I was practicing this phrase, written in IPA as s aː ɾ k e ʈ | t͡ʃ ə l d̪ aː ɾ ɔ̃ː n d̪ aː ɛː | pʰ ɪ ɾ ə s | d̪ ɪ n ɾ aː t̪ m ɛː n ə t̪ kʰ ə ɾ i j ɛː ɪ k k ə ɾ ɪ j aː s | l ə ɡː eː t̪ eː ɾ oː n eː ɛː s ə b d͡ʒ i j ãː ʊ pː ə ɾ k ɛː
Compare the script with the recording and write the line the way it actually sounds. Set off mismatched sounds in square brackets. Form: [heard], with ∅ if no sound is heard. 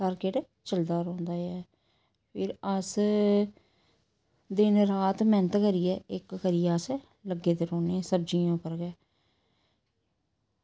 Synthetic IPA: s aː ɾ k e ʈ | t͡ʃ ə l d̪ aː ɾ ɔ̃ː n d̪ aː ɛː | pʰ ɪ ɾ ə s | d̪ ɪ n ɾ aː t̪ m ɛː n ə t̪ [k] ə ɾ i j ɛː ɪ k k ə ɾ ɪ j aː s | l ə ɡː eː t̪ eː ɾ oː n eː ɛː s ə b d͡ʒ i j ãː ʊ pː ə ɾ [ɡ] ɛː